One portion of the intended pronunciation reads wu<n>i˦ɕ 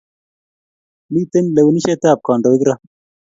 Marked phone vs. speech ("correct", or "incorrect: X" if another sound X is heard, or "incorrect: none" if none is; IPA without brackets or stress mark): correct